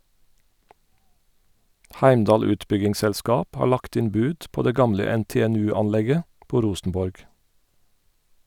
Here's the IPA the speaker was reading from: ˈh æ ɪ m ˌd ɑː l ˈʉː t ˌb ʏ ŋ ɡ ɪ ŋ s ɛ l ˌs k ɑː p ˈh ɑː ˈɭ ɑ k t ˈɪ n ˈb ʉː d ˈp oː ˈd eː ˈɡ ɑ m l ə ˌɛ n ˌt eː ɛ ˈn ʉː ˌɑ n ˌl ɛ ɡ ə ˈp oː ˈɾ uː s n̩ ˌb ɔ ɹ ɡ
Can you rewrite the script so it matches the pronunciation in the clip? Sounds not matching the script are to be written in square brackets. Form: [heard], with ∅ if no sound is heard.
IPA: ˈh æ ɪ m ˌd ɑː l ˈʉː t ˌb ʏ [∅] ɡ ɪ ŋ s ɛ l ˌs k ɑː p ˈh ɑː ˈɭ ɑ k t ˈɪ n ˈb ʉː d ˈp oː ˈd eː ˈɡ ɑ m l ə ˌɛ n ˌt eː ɛ ˈn ʉː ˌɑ n ˌl ɛ ɡ ə ˈp oː ˈɾ uː s n̩ ˌb ɔ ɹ ɡ